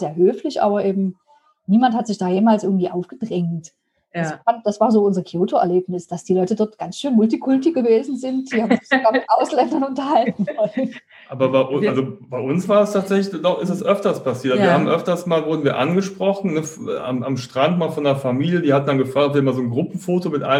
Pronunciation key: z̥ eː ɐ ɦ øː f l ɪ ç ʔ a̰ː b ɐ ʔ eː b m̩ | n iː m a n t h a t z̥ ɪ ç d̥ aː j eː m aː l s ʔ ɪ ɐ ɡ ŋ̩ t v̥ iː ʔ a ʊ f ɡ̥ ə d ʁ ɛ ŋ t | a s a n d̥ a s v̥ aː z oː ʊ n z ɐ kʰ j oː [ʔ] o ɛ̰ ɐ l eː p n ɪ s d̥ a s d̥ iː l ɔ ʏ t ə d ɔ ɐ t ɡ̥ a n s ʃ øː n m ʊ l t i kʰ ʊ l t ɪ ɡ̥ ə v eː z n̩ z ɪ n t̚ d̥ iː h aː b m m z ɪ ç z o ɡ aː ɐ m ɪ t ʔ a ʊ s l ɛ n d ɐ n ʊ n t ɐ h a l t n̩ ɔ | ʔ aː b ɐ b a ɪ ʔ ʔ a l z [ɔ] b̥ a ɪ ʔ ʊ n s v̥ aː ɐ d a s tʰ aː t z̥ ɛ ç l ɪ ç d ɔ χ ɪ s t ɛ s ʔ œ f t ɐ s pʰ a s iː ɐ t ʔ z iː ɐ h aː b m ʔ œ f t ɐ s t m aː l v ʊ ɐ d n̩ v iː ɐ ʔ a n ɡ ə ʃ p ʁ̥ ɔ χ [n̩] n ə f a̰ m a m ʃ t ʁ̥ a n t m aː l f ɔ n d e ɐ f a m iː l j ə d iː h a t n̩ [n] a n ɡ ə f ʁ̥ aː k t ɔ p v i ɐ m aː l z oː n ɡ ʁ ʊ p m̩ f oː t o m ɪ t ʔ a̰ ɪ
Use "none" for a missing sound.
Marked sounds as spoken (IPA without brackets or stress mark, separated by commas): t, o, n̩, d